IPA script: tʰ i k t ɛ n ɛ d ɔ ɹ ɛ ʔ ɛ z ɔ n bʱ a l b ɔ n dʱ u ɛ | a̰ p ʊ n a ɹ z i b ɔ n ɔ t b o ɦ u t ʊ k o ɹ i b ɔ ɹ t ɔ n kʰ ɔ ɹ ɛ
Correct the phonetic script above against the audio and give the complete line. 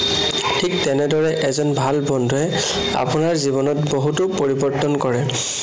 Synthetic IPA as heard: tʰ i k t ɛ n ɛ d ɔ ɹ ɛ ʔ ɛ z ɔ n bʱ a l b ɔ n dʱ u ɛ | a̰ p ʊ n a ɹ z i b ɔ n ɔ t b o ɦ u t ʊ p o ɹ i b ɔ ɹ t ɔ n k ɔ ɹ ɛ